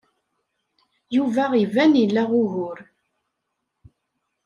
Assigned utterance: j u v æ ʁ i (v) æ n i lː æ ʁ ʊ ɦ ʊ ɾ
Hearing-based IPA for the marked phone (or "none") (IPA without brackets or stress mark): v